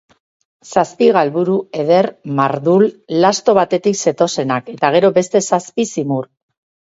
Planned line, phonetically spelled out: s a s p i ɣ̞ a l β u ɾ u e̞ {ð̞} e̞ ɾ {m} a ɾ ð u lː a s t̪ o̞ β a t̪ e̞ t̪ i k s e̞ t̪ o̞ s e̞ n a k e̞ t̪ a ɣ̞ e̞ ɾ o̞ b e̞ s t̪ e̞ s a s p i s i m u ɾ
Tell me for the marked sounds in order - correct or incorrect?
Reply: correct, correct

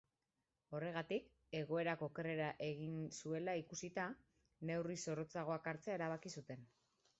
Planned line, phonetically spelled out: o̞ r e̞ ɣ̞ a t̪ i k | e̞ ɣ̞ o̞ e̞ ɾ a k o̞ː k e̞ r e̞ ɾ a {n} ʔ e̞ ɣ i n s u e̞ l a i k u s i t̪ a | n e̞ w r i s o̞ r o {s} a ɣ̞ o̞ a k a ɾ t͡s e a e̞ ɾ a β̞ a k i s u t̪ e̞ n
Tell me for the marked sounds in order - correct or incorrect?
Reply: incorrect: none, incorrect: t͡s

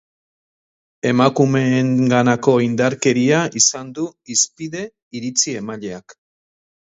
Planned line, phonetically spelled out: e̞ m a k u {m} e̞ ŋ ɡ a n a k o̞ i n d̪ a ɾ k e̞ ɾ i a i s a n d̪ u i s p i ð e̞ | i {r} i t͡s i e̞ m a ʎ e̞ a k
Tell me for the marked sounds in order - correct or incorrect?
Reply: correct, incorrect: ɾ

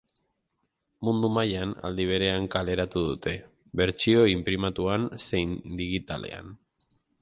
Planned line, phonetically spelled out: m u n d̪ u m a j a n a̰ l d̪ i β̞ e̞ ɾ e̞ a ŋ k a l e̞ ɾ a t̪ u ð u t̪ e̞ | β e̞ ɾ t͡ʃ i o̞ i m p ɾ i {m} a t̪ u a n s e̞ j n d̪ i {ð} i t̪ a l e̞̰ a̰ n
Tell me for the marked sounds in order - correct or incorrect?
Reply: correct, incorrect: ɣ

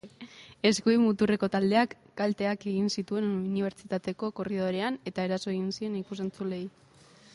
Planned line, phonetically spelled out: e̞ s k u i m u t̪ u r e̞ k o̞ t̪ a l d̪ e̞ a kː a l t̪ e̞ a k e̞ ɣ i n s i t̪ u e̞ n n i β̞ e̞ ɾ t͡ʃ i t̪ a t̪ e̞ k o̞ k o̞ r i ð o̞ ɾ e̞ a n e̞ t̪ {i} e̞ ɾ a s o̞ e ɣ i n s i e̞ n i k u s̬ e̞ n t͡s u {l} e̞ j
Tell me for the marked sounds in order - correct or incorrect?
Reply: incorrect: a, correct

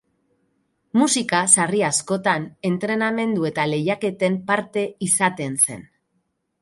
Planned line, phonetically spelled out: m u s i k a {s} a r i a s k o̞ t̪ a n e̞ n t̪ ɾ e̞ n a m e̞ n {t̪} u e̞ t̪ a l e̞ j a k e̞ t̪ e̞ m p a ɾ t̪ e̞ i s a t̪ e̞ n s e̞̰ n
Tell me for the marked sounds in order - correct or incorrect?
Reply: correct, incorrect: d̪

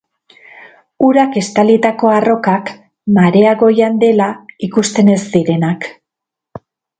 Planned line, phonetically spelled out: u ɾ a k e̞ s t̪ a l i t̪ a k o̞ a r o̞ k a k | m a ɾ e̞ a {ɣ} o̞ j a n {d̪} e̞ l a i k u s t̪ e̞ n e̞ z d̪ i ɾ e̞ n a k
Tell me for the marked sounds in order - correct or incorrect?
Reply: correct, correct

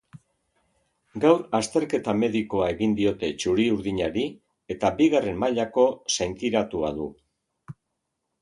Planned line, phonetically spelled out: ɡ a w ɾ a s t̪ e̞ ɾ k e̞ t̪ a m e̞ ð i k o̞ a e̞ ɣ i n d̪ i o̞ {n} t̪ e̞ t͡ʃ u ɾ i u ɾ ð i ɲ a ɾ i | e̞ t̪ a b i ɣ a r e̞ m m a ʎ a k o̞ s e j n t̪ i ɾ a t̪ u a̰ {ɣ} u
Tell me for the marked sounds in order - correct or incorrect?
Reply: incorrect: none, incorrect: ð

